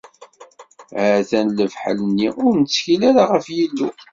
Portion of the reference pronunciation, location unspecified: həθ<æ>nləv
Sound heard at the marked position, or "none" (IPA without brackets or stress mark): æ